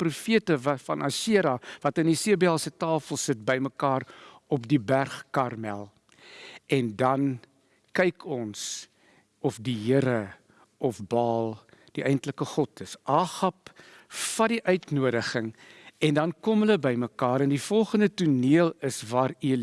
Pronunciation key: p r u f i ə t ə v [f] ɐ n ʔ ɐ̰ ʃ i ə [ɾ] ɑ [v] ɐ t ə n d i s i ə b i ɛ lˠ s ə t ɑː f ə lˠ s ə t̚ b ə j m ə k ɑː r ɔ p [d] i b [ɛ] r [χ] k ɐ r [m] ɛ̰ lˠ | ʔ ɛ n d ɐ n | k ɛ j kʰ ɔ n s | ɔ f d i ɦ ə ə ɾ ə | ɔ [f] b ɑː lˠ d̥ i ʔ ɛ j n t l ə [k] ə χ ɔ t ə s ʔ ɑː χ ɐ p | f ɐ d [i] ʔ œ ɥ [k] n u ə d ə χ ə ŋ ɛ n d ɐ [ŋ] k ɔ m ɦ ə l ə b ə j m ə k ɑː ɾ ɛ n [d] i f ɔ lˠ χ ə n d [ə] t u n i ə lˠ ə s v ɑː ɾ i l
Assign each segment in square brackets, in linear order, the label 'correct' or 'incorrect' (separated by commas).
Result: correct, correct, correct, correct, incorrect, correct, correct, correct, correct, correct, incorrect, incorrect, correct, correct